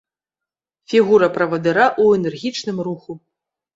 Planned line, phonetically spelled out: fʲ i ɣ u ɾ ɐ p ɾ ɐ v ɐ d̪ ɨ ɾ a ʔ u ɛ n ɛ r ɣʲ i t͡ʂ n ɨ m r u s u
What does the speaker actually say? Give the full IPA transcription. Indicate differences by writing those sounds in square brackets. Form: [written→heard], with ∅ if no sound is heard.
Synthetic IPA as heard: fʲ i ɣ u ɾ ɐ p ɾ ɐ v ɐ d̪ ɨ ɾ a ʔ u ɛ n ɛ r ɣʲ i t͡ʂ n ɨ m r u [s→x] u